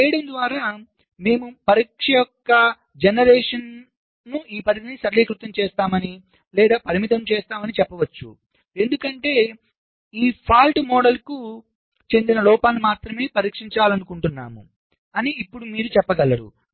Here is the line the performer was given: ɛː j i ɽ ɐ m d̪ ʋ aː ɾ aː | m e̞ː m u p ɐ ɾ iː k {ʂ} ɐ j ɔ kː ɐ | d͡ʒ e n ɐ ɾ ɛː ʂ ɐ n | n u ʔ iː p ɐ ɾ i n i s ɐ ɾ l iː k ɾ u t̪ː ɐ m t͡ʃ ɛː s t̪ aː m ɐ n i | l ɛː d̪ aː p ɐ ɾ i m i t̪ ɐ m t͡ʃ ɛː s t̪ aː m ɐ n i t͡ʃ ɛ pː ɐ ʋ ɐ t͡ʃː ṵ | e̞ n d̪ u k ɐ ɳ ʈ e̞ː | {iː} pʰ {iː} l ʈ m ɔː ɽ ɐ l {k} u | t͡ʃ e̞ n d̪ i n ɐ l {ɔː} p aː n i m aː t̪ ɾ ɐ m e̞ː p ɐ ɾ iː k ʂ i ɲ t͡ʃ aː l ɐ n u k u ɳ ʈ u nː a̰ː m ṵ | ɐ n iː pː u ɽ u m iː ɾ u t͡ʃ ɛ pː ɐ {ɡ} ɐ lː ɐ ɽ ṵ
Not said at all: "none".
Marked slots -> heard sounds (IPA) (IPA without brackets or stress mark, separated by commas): ʂ, iː, aː, k, ɔː, ɡ